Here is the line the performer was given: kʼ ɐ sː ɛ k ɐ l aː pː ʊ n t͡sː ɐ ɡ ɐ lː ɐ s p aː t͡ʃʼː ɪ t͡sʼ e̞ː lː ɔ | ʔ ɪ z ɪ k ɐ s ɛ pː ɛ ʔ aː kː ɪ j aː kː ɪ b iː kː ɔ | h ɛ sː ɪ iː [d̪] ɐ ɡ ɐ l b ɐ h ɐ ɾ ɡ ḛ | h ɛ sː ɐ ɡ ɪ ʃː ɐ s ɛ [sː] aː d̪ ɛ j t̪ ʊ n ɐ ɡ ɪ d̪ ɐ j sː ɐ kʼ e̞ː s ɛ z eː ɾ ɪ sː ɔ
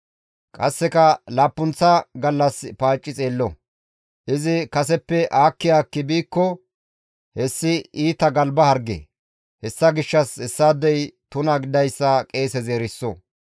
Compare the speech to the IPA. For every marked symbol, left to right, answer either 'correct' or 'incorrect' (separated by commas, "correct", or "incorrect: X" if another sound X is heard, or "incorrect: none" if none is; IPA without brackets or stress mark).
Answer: incorrect: t̪, correct